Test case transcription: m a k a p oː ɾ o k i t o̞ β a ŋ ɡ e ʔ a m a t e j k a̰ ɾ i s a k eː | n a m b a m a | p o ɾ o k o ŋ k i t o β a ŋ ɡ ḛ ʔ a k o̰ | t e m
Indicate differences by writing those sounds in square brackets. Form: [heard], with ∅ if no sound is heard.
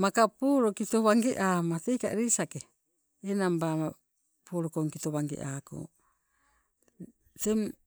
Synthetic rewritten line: m a k a p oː ɾ o k i t o̞ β a ŋ ɡ e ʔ a m a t e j k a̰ ɾ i s a k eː | n a m b a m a | p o ɾ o k o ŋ k i t o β a ŋ ɡ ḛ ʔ a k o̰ | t e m